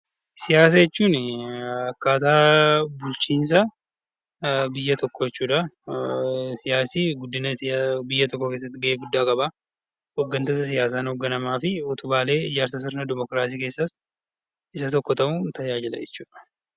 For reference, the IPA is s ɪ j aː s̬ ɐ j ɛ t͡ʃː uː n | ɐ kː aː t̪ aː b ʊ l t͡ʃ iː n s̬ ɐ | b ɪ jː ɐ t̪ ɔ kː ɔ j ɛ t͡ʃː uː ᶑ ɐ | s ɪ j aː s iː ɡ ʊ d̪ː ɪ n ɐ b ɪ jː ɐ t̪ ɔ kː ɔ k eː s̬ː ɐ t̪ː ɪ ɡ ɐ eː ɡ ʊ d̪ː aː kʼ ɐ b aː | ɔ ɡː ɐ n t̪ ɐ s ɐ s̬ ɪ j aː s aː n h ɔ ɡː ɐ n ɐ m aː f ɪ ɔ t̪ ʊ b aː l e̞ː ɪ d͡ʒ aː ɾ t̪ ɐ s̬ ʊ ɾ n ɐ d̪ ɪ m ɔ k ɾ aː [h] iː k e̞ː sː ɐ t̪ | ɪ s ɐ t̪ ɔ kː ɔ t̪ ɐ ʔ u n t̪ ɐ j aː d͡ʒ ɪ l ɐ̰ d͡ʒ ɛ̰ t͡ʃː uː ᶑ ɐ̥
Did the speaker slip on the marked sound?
yes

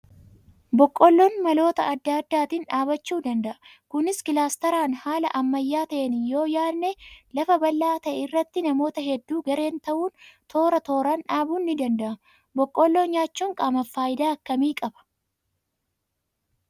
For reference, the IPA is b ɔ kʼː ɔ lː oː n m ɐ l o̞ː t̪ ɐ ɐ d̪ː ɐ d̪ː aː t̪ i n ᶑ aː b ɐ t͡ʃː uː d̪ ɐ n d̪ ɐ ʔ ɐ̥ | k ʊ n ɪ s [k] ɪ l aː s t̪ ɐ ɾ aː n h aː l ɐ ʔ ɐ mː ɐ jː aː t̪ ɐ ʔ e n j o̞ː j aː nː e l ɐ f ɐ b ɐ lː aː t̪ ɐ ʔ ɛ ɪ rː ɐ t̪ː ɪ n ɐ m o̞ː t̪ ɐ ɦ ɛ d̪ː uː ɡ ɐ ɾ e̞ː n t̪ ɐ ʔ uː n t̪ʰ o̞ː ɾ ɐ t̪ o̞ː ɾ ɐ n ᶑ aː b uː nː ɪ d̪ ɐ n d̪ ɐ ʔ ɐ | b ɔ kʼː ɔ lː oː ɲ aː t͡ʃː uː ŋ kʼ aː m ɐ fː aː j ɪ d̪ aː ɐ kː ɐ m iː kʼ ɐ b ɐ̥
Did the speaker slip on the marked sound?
no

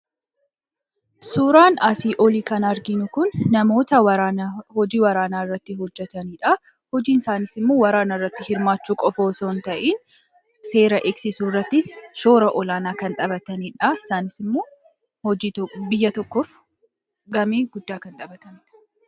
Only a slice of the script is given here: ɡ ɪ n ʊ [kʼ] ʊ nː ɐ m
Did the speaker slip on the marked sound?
yes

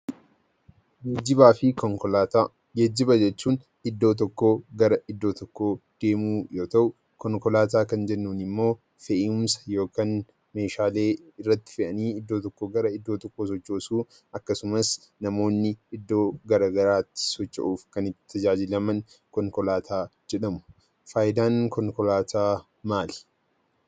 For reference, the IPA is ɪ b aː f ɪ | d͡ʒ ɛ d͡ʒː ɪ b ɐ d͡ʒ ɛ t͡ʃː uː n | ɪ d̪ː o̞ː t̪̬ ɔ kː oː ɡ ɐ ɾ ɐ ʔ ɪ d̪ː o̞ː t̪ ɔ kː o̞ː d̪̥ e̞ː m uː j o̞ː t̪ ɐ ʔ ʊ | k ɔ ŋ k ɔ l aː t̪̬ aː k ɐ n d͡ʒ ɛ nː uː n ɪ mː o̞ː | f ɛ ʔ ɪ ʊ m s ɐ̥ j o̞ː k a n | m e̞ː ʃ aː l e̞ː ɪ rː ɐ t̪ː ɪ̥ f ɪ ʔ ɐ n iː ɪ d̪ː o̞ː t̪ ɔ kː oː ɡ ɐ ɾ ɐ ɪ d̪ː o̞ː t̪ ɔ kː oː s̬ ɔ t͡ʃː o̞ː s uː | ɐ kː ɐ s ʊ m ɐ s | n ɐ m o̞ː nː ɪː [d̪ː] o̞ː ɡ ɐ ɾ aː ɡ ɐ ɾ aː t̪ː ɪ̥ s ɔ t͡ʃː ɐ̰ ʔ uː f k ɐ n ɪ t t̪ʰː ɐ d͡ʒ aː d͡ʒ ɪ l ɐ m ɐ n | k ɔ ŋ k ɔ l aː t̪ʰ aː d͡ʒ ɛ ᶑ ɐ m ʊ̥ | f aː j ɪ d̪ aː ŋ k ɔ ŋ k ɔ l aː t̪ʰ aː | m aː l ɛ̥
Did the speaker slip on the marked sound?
no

